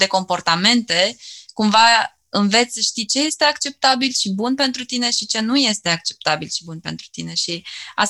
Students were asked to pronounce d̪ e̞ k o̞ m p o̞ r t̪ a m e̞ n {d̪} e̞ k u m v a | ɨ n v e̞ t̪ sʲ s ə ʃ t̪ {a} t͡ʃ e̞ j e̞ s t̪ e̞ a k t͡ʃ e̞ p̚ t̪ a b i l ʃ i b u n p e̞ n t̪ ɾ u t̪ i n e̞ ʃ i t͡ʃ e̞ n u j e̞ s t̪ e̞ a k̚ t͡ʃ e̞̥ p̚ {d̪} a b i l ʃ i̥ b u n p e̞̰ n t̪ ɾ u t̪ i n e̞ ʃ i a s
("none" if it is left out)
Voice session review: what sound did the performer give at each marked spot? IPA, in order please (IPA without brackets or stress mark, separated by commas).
t̪, i, t̪